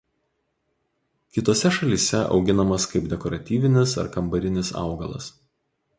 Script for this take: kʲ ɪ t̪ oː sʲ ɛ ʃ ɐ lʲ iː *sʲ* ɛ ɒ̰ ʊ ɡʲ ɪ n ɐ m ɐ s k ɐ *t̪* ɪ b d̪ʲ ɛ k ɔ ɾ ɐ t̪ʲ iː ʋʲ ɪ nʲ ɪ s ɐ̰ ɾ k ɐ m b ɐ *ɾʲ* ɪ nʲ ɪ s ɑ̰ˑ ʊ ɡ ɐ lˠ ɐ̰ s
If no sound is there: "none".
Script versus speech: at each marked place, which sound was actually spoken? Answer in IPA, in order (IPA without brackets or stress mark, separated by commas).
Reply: sʲ, none, ɾʲ